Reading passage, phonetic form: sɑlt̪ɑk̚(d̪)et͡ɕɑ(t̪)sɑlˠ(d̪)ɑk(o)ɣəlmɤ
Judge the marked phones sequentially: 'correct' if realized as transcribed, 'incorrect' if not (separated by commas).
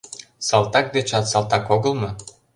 correct, correct, incorrect, correct